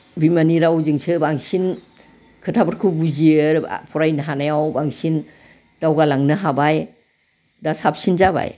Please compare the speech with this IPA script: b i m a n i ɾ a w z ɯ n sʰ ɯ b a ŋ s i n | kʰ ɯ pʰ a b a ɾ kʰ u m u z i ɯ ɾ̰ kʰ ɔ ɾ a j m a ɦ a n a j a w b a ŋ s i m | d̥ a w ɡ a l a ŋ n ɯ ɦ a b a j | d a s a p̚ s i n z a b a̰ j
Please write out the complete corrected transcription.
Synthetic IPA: b i m a n i ɾ a w z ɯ ŋ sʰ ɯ b a ŋ s i n | kʰ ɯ tʰ a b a ɾ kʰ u b u z i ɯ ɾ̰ pʰ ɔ ɾ a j n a ɦ a n a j a w b a ŋ s i n | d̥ a w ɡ a l a ŋ n ɯ ɦ a b a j | d a s a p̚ s i n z a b a̰ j